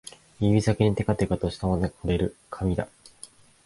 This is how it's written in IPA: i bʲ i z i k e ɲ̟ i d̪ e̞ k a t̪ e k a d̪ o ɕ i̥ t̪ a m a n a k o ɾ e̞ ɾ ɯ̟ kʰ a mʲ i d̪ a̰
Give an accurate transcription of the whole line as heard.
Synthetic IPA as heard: i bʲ i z a k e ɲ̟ i t̪ e̞ k a t̪ e k a t̪ o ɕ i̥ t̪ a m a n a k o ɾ e̞ ɾ ɯ̟ kʰ a mʲ i d̪ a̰